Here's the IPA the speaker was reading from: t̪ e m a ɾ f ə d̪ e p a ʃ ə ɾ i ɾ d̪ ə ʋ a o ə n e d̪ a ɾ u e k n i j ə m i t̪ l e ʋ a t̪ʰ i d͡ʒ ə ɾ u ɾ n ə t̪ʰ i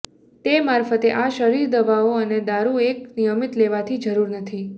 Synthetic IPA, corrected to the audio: t̪ e m a ɾ f ə t̪ e ʔ a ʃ ə ɾ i ɾ d̪ ə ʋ a o ə n e d̪ a ɾ u e k n i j ə m i t̪ l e ʋ a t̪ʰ i d͡ʒ ə ɾ u ɾ n ə t̪ʰ i